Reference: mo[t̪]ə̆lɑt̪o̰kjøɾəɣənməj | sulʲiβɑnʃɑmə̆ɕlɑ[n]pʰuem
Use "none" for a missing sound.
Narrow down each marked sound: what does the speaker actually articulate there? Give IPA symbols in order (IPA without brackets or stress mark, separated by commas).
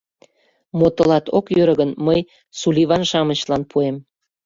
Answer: t̪, n